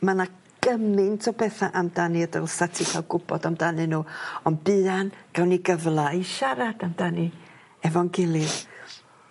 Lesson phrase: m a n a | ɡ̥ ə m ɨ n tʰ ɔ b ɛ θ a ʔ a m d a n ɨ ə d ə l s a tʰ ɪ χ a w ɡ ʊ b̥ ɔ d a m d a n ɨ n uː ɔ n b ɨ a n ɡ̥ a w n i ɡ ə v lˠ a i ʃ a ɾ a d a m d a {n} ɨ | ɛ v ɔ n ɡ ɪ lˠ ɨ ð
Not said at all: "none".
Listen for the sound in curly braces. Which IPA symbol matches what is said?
n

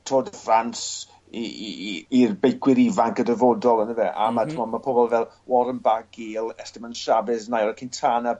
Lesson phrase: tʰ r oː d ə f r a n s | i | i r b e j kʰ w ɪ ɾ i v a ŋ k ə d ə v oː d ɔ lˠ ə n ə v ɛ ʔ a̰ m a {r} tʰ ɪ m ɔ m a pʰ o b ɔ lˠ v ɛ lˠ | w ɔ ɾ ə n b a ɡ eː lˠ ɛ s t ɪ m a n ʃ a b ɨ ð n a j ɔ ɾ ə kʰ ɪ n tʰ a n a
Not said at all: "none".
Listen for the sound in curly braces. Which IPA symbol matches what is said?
none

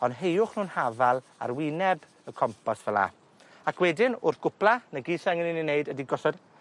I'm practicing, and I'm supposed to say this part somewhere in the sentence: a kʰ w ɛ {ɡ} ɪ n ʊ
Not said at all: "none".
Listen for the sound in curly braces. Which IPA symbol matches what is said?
d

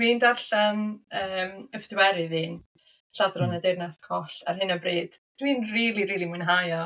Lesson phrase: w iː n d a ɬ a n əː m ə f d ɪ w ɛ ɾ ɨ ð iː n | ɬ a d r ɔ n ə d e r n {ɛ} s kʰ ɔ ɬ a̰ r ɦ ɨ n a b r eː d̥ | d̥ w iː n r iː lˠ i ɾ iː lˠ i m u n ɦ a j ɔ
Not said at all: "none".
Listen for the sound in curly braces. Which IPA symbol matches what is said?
a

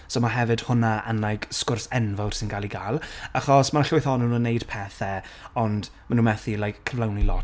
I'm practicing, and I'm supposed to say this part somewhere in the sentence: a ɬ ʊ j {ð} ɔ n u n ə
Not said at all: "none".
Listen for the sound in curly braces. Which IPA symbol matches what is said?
θ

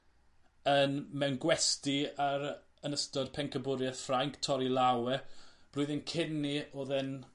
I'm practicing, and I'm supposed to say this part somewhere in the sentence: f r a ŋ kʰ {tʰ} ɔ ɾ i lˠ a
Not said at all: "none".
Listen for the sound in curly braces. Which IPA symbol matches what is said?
tʰ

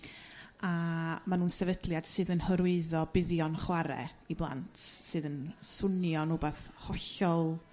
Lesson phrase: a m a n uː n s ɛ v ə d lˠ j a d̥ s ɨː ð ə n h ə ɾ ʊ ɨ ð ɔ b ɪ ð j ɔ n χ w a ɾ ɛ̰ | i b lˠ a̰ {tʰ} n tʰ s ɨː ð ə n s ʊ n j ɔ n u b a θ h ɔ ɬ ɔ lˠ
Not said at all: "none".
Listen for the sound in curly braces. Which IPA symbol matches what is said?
none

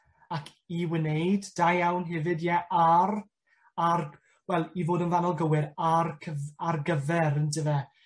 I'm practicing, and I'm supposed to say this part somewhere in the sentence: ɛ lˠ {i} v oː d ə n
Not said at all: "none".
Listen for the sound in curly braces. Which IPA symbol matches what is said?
i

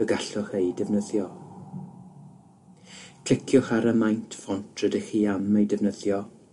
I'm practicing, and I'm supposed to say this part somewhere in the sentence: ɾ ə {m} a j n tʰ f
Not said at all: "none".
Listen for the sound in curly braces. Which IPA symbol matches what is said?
m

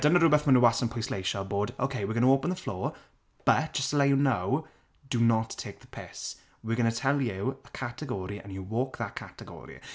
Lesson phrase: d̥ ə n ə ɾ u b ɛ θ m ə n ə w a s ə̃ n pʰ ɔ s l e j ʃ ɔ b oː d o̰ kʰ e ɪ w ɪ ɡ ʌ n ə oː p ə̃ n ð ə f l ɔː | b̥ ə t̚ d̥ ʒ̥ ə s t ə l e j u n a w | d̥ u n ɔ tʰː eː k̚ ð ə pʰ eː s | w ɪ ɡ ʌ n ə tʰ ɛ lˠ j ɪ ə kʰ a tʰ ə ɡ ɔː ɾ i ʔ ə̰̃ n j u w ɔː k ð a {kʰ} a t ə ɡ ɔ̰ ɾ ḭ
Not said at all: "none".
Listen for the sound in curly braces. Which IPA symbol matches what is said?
kʰ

